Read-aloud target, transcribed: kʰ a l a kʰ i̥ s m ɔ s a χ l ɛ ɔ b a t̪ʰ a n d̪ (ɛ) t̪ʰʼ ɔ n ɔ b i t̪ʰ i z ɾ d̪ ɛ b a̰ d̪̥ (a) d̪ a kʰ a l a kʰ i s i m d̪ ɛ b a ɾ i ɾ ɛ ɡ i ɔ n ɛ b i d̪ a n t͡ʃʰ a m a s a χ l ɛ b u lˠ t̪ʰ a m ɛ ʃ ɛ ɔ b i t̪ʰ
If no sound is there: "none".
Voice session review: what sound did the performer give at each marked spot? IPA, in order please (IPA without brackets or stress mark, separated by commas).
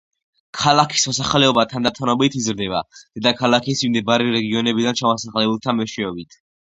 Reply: a, ɛ